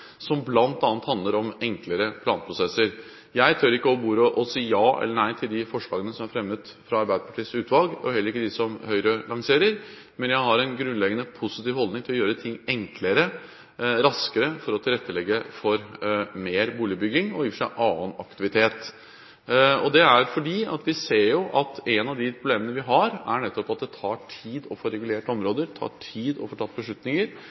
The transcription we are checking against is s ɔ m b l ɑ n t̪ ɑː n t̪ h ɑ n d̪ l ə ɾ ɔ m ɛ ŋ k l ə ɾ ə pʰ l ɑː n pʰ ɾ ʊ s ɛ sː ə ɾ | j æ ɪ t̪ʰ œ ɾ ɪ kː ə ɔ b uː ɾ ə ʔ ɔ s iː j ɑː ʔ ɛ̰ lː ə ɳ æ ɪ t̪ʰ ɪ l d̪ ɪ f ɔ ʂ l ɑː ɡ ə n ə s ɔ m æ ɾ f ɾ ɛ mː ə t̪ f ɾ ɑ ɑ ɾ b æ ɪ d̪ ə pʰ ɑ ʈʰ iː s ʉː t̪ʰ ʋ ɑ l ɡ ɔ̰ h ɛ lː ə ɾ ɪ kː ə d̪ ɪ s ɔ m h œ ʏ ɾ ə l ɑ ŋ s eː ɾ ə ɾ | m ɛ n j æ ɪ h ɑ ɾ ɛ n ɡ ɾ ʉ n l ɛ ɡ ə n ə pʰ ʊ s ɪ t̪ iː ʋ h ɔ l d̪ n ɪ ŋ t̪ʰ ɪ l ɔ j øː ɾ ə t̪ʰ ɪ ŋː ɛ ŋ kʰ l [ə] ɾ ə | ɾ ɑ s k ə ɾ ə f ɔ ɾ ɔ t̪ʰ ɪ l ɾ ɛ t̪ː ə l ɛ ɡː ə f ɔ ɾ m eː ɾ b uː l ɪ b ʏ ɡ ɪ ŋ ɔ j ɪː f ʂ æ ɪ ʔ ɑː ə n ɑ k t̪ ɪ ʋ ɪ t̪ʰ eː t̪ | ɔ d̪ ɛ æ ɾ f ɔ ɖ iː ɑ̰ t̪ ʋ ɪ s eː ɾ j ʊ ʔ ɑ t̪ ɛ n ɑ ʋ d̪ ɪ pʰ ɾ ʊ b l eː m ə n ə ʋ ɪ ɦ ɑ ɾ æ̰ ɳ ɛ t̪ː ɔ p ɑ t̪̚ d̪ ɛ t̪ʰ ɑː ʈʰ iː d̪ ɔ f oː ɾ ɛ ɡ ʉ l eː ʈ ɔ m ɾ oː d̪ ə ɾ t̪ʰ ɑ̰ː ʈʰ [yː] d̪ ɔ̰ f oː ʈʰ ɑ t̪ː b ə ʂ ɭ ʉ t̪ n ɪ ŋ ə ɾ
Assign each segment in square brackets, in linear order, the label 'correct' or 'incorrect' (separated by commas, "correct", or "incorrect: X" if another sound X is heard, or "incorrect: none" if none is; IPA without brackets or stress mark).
correct, incorrect: iː